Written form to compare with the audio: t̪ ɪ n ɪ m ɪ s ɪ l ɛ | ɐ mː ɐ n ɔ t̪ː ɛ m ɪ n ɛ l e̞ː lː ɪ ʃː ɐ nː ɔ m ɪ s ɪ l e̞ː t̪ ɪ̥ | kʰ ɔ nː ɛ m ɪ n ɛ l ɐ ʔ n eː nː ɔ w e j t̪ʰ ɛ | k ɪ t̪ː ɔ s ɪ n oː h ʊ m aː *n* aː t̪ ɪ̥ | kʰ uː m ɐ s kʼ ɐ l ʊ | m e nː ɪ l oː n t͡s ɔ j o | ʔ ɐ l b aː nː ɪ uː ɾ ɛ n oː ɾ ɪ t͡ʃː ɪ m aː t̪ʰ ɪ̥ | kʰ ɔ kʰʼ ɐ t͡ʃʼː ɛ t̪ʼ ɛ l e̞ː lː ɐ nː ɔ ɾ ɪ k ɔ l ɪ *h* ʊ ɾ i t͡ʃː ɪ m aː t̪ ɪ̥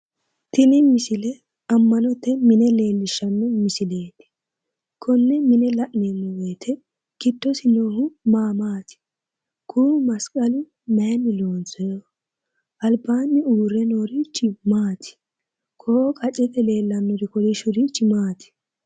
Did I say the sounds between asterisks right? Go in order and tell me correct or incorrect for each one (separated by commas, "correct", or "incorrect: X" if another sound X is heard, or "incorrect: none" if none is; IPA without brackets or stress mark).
incorrect: m, incorrect: ʃ